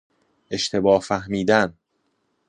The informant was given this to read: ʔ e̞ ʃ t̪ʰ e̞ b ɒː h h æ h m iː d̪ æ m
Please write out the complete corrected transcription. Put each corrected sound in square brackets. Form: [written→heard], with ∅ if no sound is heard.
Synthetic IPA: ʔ e̞ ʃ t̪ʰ e̞ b ɒː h [h→f] æ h m iː d̪ æ [m→n]

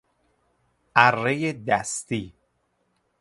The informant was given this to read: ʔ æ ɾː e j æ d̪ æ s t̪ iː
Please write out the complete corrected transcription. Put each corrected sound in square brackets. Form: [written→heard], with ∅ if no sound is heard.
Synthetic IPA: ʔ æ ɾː e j [æ→e] d̪ æ s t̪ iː

